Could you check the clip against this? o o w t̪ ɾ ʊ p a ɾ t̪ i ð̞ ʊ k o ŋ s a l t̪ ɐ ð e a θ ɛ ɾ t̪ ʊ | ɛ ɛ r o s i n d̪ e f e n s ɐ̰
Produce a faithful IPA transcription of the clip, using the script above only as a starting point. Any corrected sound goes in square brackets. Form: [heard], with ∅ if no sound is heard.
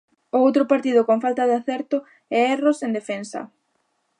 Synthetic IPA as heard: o o w t̪ ɾ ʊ p a ɾ t̪ i ð̞ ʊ k o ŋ [f] a l t̪ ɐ ð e a θ ɛ ɾ t̪ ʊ | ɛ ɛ r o s [e] n d̪ e f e n s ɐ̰